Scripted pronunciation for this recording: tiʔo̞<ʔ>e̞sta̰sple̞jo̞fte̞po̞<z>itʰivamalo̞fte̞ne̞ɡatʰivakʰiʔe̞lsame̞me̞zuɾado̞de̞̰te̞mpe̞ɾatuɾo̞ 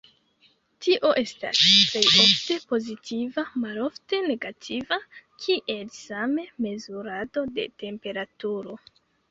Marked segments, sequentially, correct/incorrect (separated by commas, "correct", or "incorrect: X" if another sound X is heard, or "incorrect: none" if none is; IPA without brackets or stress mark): correct, correct